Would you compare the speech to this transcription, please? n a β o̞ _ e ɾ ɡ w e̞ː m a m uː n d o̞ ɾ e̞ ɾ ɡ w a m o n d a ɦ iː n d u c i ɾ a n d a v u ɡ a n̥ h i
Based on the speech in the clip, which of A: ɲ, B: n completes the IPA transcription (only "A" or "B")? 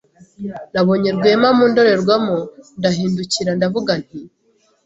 A